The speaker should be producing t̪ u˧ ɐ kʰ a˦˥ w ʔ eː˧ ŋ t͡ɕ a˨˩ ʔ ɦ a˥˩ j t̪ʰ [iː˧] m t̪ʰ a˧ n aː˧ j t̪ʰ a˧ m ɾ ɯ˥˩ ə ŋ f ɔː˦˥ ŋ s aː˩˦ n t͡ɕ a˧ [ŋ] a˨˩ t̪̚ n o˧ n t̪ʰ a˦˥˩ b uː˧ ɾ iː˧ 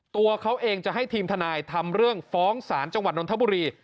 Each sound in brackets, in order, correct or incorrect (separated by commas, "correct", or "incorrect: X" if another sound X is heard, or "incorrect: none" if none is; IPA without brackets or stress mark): correct, correct